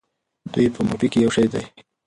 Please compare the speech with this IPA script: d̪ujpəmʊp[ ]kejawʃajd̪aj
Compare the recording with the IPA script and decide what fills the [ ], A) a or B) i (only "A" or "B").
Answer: B